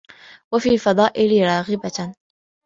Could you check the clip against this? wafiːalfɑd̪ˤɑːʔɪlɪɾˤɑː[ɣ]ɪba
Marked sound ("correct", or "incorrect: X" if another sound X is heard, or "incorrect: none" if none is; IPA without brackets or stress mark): correct